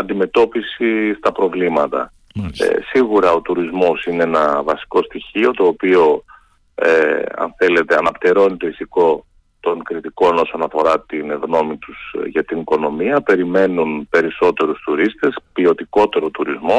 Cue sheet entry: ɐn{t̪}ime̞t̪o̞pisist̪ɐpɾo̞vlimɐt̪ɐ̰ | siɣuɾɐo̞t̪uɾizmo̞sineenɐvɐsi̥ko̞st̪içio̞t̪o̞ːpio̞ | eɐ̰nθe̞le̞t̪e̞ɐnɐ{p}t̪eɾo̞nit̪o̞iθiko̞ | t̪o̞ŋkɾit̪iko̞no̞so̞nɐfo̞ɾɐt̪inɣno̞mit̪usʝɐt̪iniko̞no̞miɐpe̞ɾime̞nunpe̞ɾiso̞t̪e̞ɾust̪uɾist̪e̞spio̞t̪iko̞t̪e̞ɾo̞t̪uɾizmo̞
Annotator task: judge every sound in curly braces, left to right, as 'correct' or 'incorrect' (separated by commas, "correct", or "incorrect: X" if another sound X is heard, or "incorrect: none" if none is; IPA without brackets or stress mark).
incorrect: d̪, correct